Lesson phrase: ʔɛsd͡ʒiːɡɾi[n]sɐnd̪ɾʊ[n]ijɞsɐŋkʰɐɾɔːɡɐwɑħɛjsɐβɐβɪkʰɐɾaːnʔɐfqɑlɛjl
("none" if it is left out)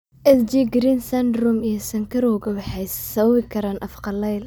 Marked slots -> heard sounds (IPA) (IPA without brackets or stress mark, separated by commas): n, m